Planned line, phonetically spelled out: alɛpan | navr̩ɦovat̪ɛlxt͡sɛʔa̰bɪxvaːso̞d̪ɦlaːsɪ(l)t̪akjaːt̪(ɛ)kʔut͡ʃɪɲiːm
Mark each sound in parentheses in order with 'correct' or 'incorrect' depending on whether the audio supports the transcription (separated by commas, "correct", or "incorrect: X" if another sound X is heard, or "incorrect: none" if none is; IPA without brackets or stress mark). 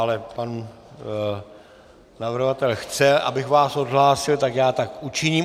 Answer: correct, incorrect: a